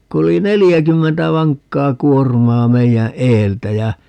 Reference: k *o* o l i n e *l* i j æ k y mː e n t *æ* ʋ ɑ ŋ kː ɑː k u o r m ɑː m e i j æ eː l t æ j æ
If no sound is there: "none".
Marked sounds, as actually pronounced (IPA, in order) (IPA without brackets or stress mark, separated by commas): u, l, æ